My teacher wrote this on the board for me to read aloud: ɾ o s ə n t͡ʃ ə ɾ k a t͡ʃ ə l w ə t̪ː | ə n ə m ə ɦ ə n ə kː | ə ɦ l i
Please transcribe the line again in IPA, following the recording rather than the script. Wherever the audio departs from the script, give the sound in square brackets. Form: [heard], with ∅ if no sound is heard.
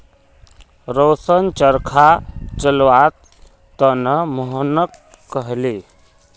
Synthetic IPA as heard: ɾ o s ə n t͡ʃ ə ɾ [kʰ] a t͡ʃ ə l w [a] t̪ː | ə n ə m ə ɦ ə n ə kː | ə ɦ l i